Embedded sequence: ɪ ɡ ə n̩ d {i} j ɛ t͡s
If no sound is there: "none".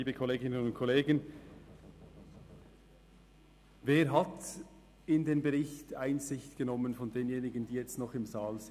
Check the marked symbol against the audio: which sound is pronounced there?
iː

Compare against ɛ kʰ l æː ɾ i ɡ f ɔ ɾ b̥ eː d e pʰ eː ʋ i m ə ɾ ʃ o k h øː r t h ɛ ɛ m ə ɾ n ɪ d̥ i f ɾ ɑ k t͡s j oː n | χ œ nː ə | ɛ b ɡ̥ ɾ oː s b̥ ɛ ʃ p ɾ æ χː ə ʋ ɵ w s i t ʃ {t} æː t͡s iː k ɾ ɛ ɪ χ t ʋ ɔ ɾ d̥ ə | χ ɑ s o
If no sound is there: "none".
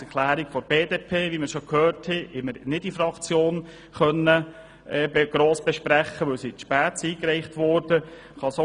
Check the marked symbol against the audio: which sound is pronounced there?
p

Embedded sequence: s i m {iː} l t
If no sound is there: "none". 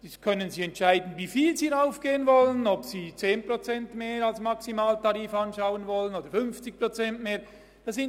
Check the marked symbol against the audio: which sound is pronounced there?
aː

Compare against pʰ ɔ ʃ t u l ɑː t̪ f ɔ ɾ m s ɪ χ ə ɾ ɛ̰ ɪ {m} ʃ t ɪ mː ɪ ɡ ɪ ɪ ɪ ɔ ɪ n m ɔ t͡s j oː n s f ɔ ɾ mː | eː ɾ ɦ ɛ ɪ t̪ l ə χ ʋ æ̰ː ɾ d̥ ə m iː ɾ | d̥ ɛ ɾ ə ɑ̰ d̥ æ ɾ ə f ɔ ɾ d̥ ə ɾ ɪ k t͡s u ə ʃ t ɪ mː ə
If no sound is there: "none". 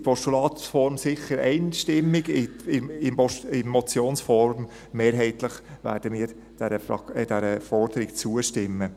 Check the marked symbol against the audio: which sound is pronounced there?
n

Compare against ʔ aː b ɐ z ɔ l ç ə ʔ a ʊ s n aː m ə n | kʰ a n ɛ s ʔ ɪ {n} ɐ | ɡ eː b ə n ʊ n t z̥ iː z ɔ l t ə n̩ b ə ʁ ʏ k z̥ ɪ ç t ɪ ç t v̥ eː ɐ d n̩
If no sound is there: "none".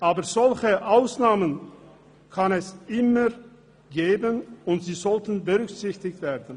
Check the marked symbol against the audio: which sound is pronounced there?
m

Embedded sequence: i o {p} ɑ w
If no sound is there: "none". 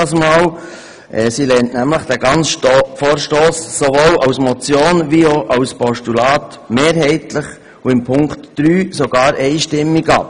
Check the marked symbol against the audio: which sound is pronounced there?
ʔ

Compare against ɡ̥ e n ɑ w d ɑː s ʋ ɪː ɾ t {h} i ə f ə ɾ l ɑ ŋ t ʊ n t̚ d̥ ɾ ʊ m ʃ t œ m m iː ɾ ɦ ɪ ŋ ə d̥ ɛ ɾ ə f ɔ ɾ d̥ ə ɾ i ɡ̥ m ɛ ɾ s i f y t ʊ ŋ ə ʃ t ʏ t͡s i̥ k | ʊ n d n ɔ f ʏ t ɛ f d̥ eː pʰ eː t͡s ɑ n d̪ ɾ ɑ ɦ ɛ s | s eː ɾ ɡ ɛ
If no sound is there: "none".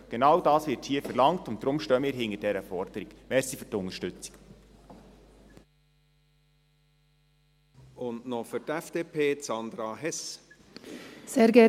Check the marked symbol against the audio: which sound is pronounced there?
h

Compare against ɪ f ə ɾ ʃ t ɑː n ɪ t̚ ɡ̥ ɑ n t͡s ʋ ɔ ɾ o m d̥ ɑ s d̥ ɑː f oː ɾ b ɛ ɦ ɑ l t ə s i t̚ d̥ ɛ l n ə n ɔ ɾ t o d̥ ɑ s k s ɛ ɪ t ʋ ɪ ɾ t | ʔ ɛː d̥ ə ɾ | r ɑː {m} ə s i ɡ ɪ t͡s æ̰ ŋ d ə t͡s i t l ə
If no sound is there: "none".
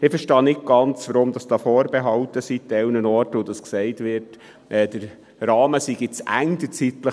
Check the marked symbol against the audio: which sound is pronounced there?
m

